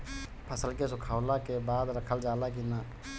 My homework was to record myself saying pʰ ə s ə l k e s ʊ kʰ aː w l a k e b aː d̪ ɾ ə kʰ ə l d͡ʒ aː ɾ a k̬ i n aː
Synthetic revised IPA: pʰ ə s ə l k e s ʊ kʰ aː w l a k e b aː d̪ ɾ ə kʰ ə l d͡ʒ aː l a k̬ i n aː